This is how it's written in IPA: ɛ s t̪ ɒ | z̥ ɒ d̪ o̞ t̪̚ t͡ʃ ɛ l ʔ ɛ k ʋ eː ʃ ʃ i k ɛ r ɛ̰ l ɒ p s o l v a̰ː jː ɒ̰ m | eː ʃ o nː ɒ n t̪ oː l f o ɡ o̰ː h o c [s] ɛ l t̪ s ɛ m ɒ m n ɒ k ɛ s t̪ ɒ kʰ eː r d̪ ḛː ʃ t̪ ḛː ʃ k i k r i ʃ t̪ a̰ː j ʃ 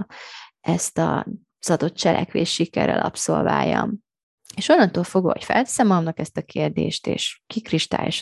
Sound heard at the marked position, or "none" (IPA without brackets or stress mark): f